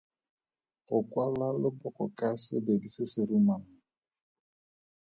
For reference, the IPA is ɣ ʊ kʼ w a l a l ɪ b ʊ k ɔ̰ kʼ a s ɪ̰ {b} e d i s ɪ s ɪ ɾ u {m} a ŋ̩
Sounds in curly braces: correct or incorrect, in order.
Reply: correct, correct

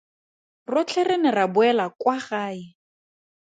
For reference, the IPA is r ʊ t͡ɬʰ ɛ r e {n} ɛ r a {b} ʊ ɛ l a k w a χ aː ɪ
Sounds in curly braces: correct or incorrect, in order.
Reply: correct, correct

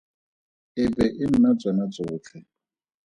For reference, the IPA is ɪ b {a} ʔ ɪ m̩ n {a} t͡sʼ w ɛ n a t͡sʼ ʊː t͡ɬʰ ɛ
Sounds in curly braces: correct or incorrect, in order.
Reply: incorrect, correct

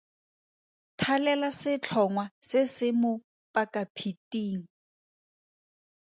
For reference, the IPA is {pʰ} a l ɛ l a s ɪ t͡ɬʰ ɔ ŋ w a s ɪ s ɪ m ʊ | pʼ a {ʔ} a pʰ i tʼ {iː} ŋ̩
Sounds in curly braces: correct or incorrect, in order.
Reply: incorrect, incorrect, correct

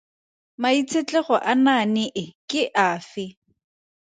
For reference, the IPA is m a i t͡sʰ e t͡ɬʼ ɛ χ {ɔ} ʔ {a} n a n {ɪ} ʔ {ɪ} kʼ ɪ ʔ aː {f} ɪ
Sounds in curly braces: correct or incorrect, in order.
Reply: correct, correct, correct, correct, correct

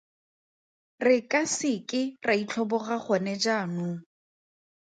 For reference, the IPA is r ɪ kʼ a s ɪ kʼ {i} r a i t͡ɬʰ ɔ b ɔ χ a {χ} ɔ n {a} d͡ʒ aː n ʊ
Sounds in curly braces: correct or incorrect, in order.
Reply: incorrect, correct, incorrect

